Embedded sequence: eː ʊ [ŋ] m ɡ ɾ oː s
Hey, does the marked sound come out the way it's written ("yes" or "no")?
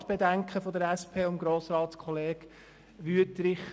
no